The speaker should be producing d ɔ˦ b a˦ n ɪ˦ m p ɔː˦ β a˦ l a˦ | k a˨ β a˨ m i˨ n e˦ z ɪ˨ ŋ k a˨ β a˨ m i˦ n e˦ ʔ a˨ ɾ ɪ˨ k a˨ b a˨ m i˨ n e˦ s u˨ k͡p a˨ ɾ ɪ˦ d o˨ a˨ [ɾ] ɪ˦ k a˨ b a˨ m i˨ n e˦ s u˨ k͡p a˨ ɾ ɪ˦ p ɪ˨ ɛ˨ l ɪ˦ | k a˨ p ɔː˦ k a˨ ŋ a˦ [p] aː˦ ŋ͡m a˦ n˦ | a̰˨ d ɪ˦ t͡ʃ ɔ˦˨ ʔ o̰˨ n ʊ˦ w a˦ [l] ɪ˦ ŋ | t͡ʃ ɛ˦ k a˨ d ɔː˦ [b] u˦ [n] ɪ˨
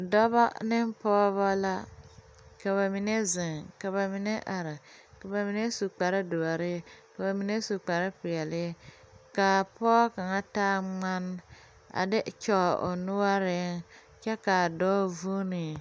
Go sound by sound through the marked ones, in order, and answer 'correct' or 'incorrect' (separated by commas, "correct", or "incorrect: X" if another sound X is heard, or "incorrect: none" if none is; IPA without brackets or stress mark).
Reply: correct, incorrect: t, incorrect: ɾ, incorrect: v, correct